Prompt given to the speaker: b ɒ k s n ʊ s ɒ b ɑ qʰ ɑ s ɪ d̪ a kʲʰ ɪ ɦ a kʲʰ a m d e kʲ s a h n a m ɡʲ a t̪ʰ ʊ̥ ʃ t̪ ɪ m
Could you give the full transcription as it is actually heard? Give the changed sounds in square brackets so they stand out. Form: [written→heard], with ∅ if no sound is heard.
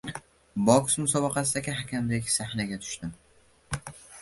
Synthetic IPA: b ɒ k s [n→m] ʊ s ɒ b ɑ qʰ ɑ s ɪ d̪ a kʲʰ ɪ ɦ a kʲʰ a m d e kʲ s a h n a [m→∅] ɡʲ a t̪ʰ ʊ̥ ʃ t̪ ɪ m